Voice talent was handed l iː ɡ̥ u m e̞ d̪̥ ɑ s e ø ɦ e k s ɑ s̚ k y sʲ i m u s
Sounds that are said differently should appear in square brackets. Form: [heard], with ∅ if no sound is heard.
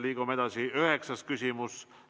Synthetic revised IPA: l iː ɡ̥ u m e̞ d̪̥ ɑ s [i] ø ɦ e k s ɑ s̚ k y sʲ i m u s